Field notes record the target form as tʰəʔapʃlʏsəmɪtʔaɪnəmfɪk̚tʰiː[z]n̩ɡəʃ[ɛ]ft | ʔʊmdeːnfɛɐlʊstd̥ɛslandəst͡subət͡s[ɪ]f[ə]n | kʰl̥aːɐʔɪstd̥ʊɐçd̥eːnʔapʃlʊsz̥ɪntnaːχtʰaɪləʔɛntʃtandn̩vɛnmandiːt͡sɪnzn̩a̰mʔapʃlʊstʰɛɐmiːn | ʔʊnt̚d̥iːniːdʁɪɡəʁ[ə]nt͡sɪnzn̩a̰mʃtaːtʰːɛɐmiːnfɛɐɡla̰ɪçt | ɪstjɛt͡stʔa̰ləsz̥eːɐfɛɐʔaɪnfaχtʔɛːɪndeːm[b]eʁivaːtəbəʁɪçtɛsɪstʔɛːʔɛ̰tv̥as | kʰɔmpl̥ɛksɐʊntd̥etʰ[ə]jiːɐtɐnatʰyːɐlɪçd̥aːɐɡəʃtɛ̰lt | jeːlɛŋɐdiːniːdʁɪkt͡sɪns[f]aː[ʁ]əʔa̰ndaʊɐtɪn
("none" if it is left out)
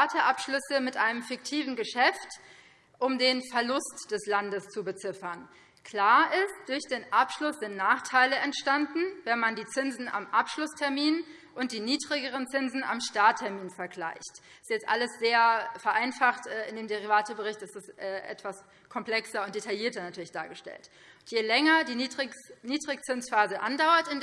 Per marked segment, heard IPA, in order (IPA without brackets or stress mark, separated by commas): v, ɛ, ɪ, ɐ, ə, d, a, f, z